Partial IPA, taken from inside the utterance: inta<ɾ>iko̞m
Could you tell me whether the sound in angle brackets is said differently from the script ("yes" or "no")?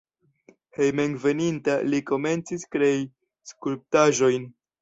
yes